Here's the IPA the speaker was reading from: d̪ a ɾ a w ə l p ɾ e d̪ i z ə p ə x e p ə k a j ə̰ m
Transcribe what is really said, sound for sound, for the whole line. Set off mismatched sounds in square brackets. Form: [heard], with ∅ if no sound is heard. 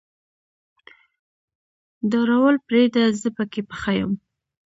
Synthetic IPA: d̪ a ɾ a w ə l p ɾ e d̪ [a] z ə p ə [k] e p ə [x] a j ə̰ m